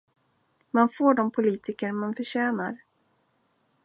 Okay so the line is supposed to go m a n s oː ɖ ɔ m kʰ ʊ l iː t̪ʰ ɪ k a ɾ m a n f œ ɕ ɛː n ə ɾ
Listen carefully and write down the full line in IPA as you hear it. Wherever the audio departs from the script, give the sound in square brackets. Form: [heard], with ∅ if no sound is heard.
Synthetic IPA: m a n [f] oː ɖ ɔ m [pʰ] ʊ l iː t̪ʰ ɪ k [ə] ɾ m a n f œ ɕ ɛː n [a] ɾ